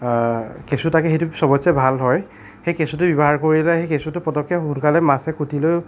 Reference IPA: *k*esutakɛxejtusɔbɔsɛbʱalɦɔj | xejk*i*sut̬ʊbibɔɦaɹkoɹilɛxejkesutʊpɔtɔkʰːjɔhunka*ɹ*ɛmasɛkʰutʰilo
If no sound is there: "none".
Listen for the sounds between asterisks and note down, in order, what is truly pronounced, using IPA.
k, e, l

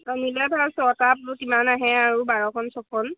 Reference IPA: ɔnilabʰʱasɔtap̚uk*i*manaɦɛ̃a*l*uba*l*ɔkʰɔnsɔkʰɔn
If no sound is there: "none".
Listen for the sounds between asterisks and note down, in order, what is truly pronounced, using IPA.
i, ɹ, ɹ

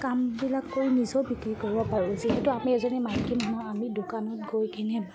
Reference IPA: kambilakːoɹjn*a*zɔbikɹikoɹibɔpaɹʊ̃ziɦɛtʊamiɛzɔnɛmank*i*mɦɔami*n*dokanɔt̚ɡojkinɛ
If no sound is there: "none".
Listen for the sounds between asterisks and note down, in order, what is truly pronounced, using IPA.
i, i, none

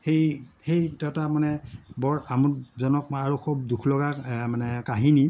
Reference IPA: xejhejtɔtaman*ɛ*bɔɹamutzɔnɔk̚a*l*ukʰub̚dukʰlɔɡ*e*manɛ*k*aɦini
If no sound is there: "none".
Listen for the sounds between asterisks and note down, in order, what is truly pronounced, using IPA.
ɛ, ɹ, a, k

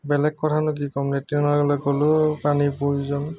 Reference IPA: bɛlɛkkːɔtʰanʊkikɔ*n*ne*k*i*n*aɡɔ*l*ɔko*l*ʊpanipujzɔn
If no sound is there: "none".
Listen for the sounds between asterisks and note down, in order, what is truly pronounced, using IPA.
m, t, n, l, l

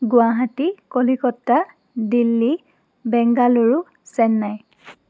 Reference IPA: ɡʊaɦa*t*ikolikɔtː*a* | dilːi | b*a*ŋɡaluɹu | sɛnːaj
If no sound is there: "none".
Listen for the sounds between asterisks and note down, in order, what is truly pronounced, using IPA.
t, a, ɛ

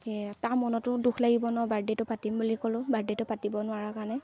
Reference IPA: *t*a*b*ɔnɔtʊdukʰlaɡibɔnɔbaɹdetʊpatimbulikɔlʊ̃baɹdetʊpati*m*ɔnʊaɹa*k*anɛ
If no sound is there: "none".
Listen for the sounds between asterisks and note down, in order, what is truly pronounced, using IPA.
t, m, b, k

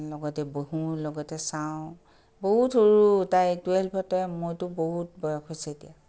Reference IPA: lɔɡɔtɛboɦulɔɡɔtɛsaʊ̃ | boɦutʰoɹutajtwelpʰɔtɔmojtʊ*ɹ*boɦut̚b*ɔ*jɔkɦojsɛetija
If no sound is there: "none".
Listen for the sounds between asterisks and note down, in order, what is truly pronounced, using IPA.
none, ɔ

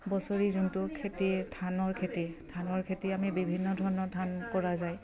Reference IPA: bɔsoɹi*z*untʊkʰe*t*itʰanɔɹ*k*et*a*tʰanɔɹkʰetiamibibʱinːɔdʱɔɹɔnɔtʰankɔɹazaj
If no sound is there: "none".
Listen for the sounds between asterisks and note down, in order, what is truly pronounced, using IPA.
z, t, kʰ, i

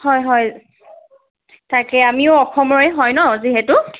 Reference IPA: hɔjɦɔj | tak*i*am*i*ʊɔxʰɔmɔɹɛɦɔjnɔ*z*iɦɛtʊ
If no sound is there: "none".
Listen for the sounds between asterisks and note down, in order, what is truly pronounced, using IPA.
ɛ, i, z

